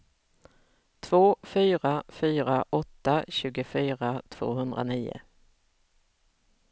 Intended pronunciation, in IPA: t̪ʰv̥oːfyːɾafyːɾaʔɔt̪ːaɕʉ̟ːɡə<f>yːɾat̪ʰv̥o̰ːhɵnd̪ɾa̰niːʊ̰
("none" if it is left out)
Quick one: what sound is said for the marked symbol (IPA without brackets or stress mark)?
f